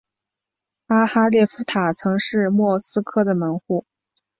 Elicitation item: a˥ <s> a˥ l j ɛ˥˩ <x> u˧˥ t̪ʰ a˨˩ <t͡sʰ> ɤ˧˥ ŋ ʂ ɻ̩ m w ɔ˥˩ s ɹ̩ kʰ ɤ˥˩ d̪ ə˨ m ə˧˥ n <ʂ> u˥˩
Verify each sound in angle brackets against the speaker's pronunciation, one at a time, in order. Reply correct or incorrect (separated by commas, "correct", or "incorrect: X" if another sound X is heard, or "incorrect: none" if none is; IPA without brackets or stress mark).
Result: incorrect: x, incorrect: f, correct, incorrect: x